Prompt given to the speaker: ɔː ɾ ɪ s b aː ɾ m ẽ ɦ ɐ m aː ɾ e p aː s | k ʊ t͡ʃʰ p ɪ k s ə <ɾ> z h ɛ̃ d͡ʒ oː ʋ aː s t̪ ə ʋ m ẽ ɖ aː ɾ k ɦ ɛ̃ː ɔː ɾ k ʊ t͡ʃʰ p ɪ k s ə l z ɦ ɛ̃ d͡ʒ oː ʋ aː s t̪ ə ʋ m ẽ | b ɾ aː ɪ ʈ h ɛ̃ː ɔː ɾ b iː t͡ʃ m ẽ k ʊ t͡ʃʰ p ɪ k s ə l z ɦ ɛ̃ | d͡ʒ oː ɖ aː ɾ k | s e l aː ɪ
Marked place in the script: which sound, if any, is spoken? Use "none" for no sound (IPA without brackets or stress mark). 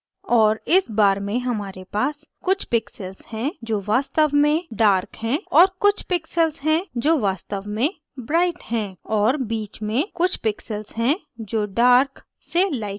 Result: l